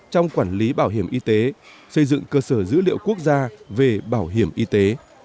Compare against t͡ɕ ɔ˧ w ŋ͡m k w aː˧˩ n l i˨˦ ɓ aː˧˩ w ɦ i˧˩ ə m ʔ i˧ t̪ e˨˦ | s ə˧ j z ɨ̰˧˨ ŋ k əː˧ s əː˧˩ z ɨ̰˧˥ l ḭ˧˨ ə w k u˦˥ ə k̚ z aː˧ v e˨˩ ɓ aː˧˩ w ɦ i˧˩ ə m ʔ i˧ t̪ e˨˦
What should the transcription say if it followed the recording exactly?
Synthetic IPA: t͡ɕ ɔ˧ w ŋ͡m k w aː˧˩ n l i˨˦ ɓ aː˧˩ w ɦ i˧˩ ə m ʔ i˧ t̪ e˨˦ | s ə˧ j z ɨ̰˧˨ ŋ k əː˧ s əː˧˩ z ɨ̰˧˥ l ḭ˧˨ ə w k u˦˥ ə k̚ z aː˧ v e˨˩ ɓ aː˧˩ w ɦ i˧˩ ə m ʔ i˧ t̪ e˨˦